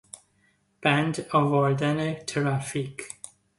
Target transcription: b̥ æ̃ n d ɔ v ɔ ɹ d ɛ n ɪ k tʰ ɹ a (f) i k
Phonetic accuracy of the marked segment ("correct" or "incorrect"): correct